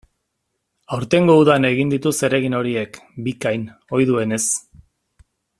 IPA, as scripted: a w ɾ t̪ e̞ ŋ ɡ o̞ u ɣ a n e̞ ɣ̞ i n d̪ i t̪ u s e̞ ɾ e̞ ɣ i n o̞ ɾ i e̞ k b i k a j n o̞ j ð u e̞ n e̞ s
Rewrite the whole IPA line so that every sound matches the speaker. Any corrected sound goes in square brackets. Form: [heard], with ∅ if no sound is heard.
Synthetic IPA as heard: a w ɾ t̪ e̞ ŋ ɡ o̞ u [ð] a n e̞ ɣ̞ i n d̪ i t̪ u s e̞ ɾ e̞ ɣ i n o̞ ɾ i e̞ k b i k a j n o̞ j ð u e̞ n e̞ s

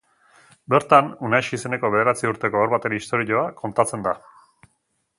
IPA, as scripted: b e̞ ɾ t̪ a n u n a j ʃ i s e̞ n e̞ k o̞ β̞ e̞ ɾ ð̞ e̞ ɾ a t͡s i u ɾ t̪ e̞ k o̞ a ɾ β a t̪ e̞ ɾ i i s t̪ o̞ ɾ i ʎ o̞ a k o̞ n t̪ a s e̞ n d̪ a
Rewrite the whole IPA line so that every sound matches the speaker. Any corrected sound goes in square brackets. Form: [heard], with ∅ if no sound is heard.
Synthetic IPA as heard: b e̞ ɾ t̪ a n u n a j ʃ i s e̞ n e̞ k o̞ β̞ e̞ [∅] ð̞ e̞ ɾ a t͡s i u ɾ t̪ e̞ k o̞ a ɾ β a t̪ e̞ ɾ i i s t̪ o̞ ɾ i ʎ o̞ a k o̞ n t̪ a [t͡s] e̞ n d̪ a

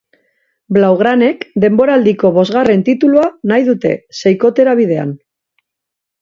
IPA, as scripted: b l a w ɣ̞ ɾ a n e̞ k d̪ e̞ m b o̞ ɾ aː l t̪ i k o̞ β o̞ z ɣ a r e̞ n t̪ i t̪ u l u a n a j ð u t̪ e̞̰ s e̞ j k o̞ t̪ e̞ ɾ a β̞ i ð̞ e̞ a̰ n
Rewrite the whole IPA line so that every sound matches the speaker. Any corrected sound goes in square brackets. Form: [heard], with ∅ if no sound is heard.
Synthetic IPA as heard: b l a w ɣ̞ ɾ a n e̞ k d̪ e̞ m b o̞ ɾ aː l [d̪] i k o̞ β o̞ z ɣ a r e̞ n t̪ i t̪ u l u a n a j ð u t̪ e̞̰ s e̞ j k o̞ t̪ e̞ ɾ a β̞ i ð̞ e̞ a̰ n

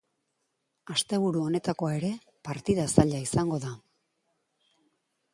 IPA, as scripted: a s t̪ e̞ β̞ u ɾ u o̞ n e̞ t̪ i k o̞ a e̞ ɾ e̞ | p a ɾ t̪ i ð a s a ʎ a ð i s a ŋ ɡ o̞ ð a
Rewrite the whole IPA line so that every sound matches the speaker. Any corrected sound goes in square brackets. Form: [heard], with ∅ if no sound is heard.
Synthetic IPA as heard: a s t̪ e̞ β̞ u ɾ u o̞ n e̞ t̪ [a] k o̞ a e̞ ɾ e̞ | p a ɾ t̪ i ð a s a ʎ a [∅] i s a ŋ ɡ o̞ ð a

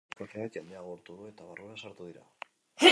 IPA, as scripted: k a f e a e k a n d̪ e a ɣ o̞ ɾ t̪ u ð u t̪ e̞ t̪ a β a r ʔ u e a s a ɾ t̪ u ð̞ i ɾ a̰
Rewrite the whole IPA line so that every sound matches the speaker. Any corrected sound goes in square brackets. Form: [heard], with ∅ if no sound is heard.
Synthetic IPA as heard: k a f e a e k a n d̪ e a ɣ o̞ ɾ t̪ u ð u [∅] e̞ t̪ a β a r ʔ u e a s a ɾ t̪ u ð̞ i ɾ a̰

